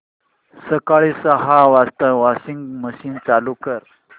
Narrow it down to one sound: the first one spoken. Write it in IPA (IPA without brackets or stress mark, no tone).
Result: s